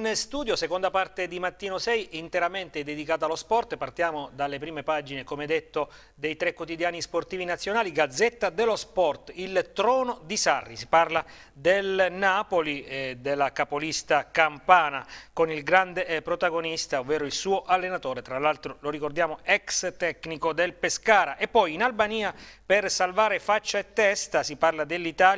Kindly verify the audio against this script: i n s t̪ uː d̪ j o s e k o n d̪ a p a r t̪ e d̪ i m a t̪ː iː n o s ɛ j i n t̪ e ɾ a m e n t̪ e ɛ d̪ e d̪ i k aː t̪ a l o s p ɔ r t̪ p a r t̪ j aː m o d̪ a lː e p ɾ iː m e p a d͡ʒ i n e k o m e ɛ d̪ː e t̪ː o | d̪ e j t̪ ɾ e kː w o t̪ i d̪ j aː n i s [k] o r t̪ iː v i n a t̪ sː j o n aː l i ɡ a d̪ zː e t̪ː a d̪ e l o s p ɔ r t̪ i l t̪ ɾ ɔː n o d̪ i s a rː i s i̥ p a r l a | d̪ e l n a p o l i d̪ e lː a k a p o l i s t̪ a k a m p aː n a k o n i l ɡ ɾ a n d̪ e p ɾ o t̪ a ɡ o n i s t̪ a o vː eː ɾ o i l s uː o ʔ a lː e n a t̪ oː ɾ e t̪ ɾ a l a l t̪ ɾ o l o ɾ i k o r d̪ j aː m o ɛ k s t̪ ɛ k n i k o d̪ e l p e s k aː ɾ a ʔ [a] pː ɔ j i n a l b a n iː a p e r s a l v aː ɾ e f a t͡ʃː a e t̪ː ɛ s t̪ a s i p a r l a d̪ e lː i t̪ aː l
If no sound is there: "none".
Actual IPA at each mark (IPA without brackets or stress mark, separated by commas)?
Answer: p, e